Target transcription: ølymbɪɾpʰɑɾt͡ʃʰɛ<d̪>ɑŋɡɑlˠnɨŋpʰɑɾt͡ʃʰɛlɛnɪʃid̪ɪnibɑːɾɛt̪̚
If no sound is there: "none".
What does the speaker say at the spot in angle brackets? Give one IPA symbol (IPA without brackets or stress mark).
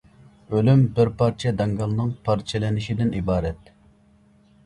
d̪